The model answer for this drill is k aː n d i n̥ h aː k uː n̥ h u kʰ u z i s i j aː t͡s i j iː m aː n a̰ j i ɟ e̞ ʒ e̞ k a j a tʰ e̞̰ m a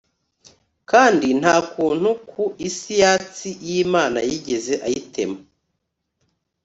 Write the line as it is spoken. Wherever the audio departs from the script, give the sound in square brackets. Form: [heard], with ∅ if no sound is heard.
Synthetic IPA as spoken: k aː n d i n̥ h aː k uː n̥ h u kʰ u [∅] i s i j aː t͡s i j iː m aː n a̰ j i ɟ e̞ [z] e̞ [ʔ] a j [i] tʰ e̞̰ m a